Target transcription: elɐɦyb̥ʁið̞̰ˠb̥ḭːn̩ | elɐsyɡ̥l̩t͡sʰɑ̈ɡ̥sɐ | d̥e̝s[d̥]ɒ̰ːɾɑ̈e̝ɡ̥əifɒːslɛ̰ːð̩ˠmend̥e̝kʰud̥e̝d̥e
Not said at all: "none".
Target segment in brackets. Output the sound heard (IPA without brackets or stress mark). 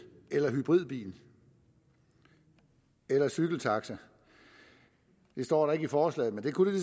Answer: d̥